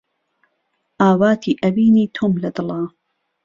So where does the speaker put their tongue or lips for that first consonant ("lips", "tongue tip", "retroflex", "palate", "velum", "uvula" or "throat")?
throat